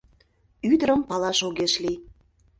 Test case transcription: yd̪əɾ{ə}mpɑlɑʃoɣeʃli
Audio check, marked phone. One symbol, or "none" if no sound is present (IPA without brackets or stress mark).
ə